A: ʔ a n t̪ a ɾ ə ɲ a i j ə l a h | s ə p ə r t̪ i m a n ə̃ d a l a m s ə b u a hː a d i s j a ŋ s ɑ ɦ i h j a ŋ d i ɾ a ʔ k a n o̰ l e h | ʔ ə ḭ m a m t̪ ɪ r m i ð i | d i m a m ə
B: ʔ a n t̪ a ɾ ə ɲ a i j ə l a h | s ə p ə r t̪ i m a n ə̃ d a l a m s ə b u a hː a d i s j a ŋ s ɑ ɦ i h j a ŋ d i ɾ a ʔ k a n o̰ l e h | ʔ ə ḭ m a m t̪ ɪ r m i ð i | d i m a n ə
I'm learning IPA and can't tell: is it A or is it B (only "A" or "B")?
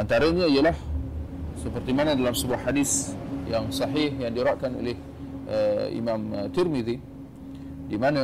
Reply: B